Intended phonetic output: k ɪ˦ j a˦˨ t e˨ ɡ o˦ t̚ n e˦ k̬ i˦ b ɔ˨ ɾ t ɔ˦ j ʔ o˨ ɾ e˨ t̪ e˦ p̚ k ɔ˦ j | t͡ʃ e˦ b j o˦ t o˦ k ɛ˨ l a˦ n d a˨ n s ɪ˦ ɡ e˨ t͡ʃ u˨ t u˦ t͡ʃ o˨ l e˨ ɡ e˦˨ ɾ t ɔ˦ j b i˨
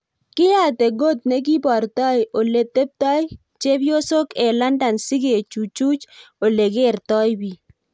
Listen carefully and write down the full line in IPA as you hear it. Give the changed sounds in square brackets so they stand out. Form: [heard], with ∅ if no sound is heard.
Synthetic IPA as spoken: k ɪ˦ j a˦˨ t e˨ ɡ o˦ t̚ n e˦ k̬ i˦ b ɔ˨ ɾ t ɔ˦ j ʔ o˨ [l] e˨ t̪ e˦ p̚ [t] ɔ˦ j | t͡ʃ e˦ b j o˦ [s] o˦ k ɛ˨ l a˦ n d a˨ n s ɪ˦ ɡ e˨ t͡ʃ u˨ [t͡ʃ] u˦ t͡ʃ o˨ l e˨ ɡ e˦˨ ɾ t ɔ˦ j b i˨